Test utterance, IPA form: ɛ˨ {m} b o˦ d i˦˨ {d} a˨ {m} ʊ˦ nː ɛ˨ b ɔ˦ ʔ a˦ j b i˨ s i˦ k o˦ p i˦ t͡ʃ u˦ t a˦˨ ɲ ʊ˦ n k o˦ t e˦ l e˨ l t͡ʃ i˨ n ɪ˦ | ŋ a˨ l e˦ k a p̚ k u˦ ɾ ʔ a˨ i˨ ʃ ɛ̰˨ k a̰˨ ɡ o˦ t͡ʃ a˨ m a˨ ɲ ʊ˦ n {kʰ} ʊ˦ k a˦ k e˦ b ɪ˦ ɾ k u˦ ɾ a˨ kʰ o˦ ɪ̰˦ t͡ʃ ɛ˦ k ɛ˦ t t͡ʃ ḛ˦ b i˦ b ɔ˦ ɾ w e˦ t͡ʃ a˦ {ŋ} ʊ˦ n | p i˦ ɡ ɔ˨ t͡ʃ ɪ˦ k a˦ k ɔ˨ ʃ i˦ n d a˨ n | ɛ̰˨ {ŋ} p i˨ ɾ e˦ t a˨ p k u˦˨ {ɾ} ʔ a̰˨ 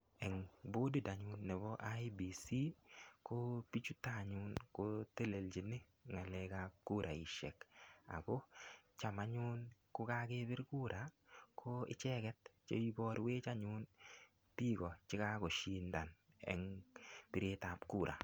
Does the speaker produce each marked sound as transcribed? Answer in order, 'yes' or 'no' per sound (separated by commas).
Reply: no, yes, no, no, no, yes, yes